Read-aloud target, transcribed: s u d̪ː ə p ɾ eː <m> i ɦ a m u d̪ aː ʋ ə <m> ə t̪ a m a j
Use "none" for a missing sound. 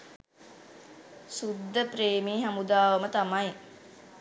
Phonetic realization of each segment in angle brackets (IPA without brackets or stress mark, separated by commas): m, m